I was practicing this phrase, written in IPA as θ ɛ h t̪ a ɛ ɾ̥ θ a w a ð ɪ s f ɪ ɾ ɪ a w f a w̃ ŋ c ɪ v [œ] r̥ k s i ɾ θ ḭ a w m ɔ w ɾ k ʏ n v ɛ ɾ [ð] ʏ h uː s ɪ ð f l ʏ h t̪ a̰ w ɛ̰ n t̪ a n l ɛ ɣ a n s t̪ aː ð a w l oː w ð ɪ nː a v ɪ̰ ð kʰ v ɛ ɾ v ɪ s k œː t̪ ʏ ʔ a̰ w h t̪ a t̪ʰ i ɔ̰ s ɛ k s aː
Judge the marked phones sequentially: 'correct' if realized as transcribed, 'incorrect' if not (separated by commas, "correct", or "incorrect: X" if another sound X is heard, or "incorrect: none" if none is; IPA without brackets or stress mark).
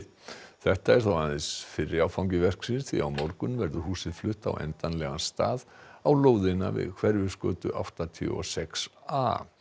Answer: incorrect: ɛ, correct